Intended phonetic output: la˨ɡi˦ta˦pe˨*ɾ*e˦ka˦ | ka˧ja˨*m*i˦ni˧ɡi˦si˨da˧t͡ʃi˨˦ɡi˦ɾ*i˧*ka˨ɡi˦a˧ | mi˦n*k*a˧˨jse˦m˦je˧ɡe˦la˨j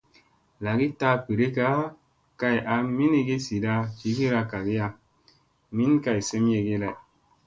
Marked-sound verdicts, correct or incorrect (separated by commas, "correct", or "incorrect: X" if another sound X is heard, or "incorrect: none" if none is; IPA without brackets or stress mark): correct, correct, incorrect: a˧, correct